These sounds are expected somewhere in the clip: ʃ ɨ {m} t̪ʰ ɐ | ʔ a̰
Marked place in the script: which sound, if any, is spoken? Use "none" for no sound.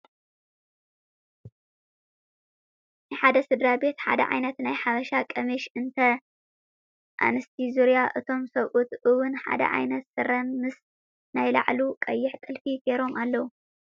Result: n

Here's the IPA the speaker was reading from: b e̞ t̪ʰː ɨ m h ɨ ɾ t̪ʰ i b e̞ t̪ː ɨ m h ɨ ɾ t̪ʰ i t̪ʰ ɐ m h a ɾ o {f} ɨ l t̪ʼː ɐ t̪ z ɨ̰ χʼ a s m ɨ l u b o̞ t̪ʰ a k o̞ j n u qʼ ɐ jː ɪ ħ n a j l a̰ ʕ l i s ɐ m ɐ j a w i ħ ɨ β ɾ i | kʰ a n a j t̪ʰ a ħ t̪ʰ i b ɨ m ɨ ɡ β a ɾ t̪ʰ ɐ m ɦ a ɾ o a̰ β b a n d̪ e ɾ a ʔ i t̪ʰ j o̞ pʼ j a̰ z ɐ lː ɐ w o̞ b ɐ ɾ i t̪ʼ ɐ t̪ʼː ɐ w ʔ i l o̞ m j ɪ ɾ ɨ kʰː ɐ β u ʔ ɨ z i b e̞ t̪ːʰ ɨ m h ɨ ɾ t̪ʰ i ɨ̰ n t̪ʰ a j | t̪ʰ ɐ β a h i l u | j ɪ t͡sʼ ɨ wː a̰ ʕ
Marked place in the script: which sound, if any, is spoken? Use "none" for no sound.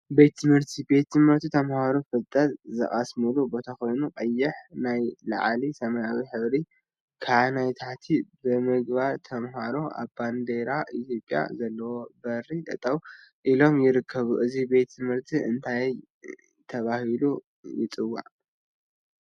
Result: f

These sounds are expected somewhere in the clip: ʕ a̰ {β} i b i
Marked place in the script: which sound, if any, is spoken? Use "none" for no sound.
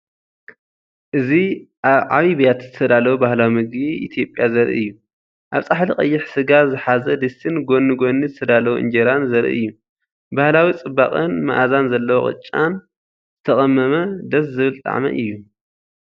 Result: β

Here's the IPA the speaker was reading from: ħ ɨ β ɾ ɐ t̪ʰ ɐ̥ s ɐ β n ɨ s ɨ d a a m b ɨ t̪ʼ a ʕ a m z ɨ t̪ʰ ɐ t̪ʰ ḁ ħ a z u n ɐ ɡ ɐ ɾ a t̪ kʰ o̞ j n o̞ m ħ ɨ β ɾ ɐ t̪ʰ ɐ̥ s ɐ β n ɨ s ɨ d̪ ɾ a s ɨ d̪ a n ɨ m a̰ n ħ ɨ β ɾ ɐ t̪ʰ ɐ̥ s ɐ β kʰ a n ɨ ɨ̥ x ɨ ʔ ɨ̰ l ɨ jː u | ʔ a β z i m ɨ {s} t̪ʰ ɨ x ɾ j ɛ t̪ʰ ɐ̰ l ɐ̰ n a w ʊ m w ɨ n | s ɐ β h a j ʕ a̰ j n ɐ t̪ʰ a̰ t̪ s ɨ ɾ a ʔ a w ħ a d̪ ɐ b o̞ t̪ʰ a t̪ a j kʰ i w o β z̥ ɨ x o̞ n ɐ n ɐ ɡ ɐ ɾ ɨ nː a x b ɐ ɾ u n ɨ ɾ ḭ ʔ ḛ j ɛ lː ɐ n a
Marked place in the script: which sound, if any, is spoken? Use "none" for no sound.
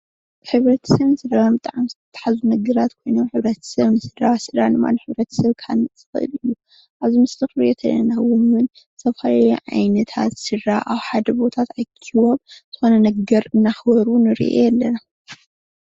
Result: s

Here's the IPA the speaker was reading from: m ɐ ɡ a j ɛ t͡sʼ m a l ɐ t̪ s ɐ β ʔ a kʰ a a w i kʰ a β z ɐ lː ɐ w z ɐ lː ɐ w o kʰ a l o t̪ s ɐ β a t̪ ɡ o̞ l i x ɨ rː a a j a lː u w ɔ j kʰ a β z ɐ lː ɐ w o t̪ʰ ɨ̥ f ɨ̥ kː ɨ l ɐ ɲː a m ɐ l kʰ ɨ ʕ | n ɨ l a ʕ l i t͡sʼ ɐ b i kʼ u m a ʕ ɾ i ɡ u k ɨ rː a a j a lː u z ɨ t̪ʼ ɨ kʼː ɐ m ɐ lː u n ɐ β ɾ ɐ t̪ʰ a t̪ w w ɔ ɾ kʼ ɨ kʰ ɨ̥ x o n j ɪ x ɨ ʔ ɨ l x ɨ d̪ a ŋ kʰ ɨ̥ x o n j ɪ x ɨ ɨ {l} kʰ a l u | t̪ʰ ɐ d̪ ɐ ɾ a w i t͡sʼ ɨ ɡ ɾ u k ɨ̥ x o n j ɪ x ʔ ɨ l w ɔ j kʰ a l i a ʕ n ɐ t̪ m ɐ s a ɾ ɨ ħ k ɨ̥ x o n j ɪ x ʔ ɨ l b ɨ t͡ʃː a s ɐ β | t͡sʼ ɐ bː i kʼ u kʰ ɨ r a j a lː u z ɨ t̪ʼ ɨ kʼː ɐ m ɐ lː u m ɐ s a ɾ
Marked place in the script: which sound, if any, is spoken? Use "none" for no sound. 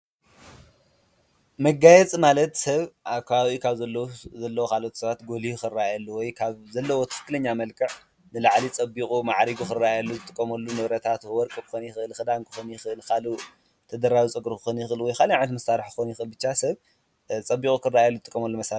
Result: l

